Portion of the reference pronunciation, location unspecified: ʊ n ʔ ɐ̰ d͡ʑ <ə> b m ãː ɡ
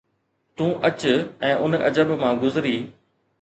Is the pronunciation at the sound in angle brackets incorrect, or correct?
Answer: correct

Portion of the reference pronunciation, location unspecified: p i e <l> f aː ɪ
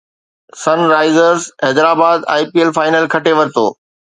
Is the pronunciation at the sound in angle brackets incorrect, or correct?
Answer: correct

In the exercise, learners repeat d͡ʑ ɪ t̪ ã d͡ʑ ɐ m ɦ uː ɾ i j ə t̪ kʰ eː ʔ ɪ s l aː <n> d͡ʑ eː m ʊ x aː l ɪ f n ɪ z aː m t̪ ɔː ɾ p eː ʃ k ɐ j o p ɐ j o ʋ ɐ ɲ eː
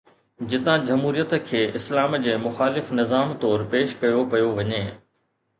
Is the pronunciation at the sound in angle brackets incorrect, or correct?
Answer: incorrect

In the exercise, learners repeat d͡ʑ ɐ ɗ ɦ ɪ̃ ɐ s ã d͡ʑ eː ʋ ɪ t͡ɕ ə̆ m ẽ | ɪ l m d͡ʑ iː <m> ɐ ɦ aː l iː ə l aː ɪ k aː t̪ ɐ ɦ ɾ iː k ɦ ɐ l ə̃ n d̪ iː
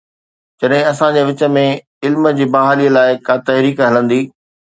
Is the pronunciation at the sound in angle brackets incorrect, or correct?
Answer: incorrect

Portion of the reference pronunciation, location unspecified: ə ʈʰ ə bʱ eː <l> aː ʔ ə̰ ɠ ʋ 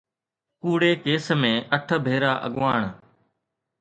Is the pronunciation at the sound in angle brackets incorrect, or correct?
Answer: incorrect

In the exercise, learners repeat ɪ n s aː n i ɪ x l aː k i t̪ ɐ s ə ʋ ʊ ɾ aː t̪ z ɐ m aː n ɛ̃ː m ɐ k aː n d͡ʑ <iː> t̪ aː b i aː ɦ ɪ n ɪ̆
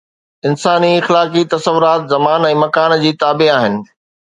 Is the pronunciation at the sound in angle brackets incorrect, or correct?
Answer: correct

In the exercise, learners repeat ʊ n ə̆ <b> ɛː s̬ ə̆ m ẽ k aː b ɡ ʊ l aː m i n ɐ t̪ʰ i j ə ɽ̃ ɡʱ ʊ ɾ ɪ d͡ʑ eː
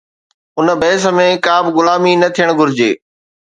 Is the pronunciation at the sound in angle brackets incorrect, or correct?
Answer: correct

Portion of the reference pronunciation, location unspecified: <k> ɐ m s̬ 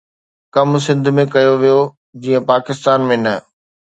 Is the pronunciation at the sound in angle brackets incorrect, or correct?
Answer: correct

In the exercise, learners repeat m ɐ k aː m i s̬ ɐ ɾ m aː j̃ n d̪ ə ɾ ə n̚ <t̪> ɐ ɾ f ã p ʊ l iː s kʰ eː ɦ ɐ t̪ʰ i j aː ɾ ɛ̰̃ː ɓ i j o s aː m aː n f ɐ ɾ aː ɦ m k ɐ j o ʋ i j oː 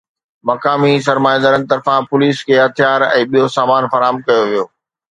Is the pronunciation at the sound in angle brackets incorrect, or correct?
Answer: correct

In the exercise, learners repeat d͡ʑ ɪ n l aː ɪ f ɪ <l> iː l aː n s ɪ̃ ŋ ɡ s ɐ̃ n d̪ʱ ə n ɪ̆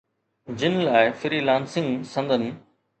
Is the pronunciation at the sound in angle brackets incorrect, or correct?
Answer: incorrect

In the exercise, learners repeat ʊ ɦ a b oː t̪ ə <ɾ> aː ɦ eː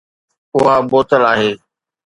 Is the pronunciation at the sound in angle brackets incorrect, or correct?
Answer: incorrect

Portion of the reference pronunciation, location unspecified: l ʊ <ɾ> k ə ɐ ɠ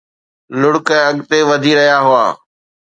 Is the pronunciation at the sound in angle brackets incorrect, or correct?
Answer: incorrect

